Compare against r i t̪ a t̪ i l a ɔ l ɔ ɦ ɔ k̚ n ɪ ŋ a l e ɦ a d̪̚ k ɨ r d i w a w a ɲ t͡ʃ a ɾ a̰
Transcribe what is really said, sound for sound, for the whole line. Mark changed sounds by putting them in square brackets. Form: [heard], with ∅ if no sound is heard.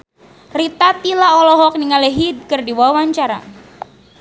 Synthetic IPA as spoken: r i t̪ a t̪ i l a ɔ l ɔ ɦ ɔ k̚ n [i] ŋ a l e ɦ [i] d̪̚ k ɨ r d i w a w a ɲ t͡ʃ a ɾ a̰